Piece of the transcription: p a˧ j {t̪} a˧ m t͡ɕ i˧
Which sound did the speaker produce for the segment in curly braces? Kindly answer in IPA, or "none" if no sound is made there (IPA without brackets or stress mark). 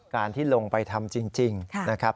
t̪ʰ